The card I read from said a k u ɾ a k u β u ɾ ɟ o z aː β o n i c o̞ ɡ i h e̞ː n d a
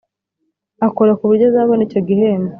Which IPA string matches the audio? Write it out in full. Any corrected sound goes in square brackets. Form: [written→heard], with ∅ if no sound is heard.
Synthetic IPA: a k [u→o] ɾ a k u β u ɾ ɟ o z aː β o n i c o̞ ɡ i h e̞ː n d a